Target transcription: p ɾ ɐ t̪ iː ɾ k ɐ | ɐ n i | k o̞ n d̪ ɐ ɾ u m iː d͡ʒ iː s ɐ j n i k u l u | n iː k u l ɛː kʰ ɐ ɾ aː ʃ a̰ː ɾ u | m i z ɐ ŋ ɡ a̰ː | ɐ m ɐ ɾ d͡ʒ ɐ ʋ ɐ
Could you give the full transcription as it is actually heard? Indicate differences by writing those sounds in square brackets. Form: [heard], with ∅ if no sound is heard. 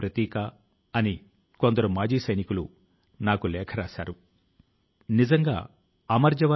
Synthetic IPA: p ɾ ɐ t̪ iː [∅] k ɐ | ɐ n i | k o̞ n d̪ ɐ ɾ u m [aː] d͡ʒ iː s ɐ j n i k u l u | n [aː] k u l ɛː kʰ ɐ ɾ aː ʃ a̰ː ɾ u | [n] i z ɐ ŋ ɡ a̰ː | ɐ m ɐ ɾ d͡ʒ ɐ ʋ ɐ